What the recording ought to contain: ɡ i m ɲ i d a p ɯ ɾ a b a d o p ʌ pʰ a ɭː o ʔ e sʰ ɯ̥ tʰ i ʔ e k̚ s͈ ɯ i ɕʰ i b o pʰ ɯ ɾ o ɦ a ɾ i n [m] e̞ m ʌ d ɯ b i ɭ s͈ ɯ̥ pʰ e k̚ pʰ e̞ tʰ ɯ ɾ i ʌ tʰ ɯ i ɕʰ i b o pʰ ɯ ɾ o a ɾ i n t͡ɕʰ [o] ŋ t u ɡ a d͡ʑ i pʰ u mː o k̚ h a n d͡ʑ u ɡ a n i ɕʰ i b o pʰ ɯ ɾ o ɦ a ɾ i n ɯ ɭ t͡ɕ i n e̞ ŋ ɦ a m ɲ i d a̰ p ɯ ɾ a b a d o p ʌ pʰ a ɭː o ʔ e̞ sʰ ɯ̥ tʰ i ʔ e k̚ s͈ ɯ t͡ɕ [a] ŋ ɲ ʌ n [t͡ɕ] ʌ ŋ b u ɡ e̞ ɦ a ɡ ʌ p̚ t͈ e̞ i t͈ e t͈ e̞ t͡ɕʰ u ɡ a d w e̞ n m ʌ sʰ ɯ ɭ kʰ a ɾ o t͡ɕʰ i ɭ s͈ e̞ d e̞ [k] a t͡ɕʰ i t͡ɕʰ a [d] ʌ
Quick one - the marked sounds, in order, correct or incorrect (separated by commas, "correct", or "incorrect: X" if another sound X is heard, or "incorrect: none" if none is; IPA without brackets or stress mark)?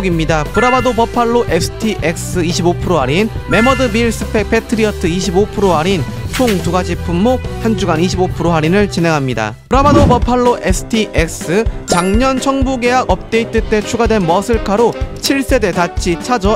correct, correct, correct, incorrect: t͡ɕʰ, incorrect: t, incorrect: d͡ʑ